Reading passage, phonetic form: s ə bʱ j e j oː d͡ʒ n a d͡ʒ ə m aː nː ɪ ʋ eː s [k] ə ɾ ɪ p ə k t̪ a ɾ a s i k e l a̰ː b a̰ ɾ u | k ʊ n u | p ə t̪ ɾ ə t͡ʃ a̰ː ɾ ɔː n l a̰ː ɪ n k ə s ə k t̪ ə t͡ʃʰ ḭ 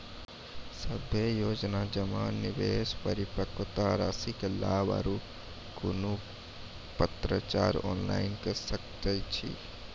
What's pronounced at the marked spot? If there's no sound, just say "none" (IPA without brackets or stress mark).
p